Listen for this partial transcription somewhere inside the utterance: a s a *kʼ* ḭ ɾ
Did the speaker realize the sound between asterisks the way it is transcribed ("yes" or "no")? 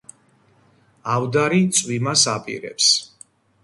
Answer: no